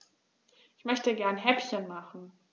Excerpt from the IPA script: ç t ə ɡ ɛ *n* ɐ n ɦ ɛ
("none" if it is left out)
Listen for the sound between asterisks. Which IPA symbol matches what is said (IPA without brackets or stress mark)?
none